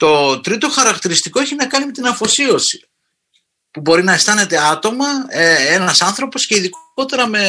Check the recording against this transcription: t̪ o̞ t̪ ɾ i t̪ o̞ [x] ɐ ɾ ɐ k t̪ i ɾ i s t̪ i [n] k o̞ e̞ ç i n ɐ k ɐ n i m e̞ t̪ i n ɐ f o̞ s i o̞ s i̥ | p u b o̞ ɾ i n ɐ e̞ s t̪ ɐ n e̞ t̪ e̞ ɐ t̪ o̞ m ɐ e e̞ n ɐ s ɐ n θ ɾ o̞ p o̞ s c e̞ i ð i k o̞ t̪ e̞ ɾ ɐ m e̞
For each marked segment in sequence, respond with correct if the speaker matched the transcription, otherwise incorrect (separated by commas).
correct, incorrect